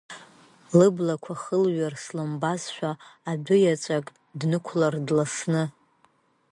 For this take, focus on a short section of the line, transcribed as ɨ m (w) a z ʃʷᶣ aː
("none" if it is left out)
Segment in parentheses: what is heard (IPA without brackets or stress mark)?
b